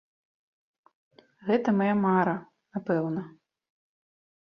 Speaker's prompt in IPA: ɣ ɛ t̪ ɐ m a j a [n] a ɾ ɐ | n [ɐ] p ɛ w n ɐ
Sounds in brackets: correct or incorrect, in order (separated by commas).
incorrect, incorrect